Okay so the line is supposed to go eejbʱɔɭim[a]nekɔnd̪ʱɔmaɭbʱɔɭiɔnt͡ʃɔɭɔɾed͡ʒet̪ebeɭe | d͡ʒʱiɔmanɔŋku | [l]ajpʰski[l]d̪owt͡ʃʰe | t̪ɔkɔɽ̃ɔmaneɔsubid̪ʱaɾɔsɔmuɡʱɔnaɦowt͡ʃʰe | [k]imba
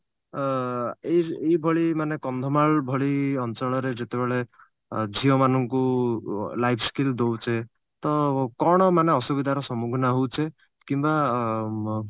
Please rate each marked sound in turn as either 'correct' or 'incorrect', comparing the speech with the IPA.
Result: correct, correct, correct, correct

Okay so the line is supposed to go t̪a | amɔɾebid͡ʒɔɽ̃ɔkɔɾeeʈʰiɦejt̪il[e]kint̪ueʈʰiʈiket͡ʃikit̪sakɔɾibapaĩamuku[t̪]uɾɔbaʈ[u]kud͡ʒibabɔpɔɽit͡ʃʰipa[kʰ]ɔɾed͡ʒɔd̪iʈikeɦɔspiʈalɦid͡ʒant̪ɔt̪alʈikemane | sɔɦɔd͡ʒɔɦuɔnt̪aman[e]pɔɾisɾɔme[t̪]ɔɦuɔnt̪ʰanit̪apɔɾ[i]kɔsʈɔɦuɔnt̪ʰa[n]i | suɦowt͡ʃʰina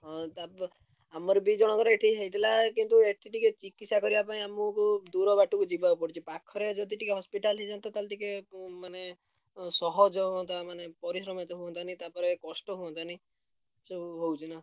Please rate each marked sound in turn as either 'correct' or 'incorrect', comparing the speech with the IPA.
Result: incorrect: a, incorrect: d̪, correct, correct, correct, correct, incorrect: e, correct

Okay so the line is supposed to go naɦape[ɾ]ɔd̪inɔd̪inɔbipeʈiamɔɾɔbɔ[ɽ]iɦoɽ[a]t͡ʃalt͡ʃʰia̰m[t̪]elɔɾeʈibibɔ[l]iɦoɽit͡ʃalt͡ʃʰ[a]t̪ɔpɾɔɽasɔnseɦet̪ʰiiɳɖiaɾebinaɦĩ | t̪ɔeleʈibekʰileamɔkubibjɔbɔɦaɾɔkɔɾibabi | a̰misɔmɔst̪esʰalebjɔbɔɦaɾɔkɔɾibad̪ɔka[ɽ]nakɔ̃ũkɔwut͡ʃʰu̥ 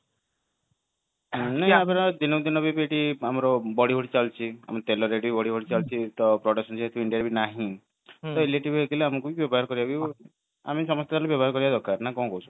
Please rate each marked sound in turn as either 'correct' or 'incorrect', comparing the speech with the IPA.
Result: correct, correct, incorrect: i, correct, incorrect: ɽ, incorrect: i, incorrect: ɾ

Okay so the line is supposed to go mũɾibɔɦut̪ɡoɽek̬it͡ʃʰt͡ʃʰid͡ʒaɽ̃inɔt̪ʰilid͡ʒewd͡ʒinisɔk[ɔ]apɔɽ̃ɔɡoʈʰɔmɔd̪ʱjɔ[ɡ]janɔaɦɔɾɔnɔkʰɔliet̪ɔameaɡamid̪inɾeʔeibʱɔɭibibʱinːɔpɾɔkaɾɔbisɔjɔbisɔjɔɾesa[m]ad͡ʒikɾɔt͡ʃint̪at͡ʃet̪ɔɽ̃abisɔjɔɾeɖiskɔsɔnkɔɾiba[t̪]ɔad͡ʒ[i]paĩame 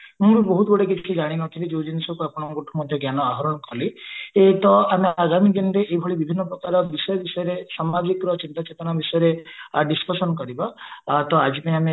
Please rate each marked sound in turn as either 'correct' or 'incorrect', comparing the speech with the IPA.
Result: incorrect: u, correct, correct, correct, correct

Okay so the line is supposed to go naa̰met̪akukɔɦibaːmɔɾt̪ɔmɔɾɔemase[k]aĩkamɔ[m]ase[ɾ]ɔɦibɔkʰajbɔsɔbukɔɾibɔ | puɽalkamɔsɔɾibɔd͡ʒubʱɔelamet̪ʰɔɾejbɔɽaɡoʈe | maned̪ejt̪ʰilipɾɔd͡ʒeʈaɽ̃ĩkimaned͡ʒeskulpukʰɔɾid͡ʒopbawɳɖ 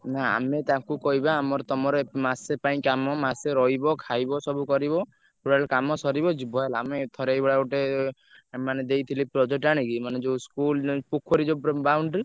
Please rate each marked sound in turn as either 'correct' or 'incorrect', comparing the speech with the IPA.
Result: incorrect: p, correct, correct

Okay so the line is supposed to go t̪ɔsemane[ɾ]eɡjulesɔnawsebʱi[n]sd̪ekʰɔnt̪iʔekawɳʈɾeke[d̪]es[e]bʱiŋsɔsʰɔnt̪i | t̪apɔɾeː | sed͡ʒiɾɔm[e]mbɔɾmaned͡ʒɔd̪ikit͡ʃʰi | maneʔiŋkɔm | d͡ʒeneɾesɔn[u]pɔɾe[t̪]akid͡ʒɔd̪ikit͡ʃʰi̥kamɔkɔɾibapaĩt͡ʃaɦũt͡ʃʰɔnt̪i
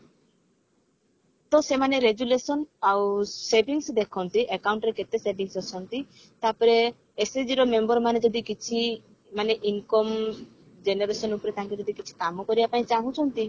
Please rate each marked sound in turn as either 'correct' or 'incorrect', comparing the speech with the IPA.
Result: correct, incorrect: ŋ, incorrect: t̪, correct, correct, correct, correct

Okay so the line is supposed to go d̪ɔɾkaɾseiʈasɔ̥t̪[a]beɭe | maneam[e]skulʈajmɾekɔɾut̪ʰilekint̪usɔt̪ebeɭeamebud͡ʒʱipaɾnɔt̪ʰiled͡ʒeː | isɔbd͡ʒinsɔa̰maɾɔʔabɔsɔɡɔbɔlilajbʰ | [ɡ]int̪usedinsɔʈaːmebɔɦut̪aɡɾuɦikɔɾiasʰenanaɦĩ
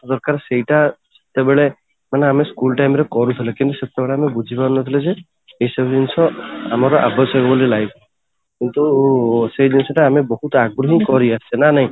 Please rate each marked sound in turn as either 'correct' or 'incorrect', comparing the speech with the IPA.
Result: incorrect: e, correct, incorrect: k

